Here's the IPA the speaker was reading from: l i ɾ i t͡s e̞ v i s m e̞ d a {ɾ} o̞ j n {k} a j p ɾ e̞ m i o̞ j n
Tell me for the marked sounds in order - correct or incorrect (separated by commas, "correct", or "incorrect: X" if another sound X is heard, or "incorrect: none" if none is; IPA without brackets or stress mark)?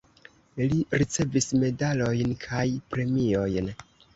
incorrect: l, incorrect: kʰ